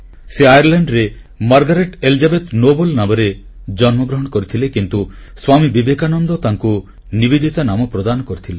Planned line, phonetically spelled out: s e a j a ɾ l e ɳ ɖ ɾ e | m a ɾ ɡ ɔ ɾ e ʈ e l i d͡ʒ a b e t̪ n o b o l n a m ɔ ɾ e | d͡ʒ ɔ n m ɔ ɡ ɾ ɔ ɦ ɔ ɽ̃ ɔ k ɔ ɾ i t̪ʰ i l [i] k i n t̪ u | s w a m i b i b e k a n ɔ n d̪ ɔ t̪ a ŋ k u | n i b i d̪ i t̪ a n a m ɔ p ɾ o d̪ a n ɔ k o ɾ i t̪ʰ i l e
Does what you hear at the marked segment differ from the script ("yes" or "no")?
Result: yes